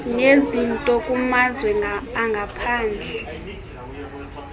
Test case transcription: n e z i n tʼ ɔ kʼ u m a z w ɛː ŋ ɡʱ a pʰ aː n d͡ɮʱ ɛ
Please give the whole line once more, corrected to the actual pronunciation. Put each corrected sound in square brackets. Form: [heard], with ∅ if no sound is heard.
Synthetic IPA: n e z i n tʼ ɔ kʼ u m a z w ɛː ŋ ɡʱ a pʰ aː n d͡ɮʱ ɛ